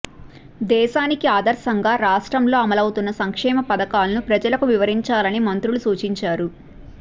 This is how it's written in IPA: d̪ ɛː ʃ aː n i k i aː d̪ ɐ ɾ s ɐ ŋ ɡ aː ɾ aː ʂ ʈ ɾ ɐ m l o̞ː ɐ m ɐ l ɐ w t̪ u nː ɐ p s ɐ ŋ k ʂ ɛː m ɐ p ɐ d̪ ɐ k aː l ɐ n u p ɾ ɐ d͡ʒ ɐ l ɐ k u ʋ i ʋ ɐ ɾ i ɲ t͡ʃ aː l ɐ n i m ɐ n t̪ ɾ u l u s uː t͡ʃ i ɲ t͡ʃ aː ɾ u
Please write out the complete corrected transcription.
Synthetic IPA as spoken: d̪ ɛː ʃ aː n i k i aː d̪ ɐ ɾ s ɐ ŋ ɡ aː ɾ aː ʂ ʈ ɾ ɐ m l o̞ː ɐ m ɐ l ɐ w t̪ u nː ɐ s ɐ ŋ k ʂ ɛː m ɐ p ɐ d̪ ɐ k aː l ɐ n u p ɾ ɐ d͡ʒ ɐ l ɐ k u ʋ i ʋ ɐ ɾ i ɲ t͡ʃ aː l ɐ n i m ɐ n t̪ ɾ u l u s uː t͡ʃ i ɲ t͡ʃ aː ɾ u